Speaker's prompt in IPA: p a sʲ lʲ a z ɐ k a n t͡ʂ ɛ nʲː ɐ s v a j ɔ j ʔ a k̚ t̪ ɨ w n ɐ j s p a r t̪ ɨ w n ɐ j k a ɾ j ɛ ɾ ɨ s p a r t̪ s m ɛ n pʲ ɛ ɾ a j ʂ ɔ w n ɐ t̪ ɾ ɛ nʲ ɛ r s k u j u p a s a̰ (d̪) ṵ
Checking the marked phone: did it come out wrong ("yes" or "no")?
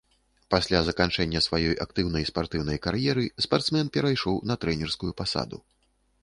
no